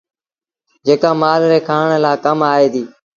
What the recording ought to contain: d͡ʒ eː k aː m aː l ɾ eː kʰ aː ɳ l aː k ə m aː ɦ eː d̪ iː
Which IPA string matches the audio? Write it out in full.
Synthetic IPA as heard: d͡ʒ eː k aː m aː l ɾ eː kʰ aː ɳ l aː k ə m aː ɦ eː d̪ iː

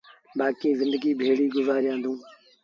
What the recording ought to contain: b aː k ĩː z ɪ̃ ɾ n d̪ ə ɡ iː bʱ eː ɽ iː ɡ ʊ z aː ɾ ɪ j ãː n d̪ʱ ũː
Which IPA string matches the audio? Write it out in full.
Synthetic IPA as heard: b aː k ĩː z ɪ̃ n d̪ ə ɡ iː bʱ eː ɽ iː ɡ ʊ z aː ɾ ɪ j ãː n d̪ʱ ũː

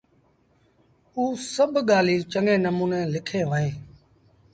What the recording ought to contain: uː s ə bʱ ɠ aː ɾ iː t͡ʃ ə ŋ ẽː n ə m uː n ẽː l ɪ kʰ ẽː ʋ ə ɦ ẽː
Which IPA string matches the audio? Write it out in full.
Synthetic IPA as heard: uː s ə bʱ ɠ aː l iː t͡ʃ ə ŋ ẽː n ə m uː n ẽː l ɪ kʰ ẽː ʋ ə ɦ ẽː

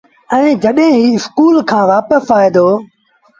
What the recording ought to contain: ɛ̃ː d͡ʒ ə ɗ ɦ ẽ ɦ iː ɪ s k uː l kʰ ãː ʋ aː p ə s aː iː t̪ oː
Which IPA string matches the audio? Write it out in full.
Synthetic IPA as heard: ɛ̃ː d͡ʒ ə ɗ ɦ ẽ ɦ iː ɪ s k uː l kʰ ãː ʋ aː p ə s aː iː d̪ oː

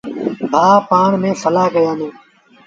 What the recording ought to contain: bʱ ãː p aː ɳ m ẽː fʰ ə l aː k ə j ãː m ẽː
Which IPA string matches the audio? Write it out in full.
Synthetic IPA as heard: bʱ aː p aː ɳ m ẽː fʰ ə l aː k ə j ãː n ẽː

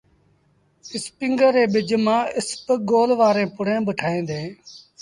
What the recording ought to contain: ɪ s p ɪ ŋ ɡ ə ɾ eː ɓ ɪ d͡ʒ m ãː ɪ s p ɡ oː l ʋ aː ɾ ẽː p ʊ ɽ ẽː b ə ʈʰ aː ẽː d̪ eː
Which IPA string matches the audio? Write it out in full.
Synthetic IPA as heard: ɪ s p ɪ ŋ ɡ ə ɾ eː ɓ ɪ d͡ʒ m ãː ɪ s p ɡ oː l ʋ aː ɾ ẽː p ʊ ɽ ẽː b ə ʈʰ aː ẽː d̪ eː

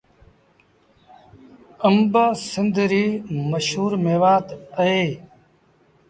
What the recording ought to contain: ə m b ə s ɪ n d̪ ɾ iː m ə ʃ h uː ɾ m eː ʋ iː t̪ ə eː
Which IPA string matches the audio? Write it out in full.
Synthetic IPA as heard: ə m b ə s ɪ n d̪ ɾ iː m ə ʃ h uː ɾ m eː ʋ aː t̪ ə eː

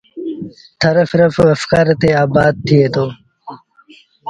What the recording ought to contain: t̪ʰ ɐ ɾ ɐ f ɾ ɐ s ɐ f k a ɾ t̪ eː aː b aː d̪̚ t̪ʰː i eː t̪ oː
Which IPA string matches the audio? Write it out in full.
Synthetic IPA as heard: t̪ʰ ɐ ɾ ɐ f ɾ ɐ f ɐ f k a ɾ t̪ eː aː b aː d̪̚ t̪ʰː i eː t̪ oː

